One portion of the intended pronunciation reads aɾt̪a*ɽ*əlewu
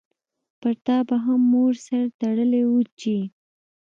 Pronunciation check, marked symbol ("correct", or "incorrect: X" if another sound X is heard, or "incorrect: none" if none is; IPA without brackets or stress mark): correct